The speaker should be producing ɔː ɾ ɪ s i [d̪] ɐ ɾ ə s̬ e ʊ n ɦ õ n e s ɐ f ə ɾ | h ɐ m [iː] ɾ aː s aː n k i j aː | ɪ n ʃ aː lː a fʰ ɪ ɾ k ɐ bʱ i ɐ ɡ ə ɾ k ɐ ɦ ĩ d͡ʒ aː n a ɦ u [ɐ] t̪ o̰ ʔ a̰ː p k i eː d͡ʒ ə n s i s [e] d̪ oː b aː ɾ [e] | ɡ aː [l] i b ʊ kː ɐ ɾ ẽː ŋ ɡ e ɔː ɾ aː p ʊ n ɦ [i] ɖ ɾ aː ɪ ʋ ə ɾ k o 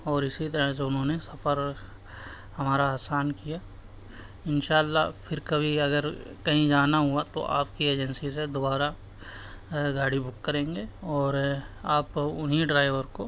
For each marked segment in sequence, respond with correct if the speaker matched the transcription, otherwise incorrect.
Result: incorrect: t̪, incorrect: aː, incorrect: a, correct, incorrect: a, incorrect: ɽ, correct

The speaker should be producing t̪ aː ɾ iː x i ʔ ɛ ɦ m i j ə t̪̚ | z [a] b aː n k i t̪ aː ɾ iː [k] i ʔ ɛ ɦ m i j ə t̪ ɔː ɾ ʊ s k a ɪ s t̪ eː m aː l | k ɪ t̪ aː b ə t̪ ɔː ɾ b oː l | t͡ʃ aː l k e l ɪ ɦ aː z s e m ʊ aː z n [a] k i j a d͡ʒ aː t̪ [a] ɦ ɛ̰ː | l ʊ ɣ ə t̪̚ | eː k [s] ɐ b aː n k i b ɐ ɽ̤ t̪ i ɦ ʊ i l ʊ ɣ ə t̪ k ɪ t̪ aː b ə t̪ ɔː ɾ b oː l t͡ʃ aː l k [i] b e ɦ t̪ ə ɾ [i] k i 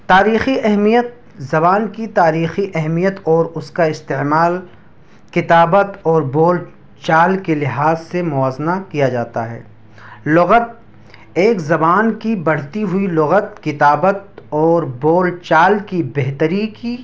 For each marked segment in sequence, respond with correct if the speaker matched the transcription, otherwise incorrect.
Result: incorrect: ɐ, incorrect: x, correct, correct, incorrect: z, correct, correct

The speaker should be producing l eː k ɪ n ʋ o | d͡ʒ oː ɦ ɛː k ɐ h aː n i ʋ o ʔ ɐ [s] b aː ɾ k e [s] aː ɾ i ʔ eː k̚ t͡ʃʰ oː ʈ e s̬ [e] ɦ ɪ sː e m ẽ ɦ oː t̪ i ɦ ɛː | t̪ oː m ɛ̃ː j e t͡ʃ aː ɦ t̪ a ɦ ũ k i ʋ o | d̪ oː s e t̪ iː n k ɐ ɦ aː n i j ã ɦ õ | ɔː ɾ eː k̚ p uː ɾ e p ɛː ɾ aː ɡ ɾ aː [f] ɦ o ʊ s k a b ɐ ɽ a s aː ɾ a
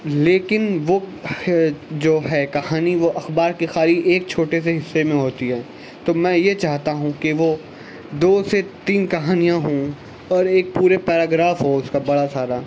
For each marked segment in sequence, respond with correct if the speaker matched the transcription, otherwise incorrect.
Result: incorrect: x, incorrect: x, correct, correct

